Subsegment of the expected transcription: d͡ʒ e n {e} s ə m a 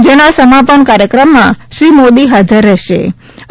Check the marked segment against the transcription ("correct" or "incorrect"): incorrect